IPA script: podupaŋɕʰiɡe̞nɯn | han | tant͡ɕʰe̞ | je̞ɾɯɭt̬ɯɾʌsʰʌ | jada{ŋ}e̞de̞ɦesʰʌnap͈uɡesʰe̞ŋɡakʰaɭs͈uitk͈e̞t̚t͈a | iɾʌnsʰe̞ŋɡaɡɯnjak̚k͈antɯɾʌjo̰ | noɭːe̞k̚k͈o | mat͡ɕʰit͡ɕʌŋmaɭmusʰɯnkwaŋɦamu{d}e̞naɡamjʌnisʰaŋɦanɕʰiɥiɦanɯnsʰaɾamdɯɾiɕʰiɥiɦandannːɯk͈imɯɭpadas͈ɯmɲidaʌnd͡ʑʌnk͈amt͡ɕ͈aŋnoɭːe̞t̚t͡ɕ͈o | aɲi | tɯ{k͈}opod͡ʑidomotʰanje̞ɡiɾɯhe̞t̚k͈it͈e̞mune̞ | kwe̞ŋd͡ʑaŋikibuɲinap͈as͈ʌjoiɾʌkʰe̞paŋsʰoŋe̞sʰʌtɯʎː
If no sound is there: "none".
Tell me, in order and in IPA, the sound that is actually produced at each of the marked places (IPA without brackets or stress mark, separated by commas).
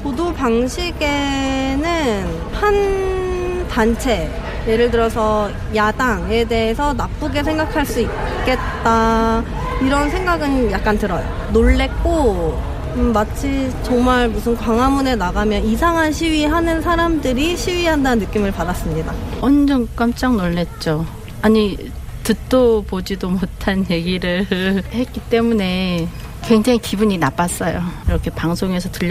ŋ, n, t͈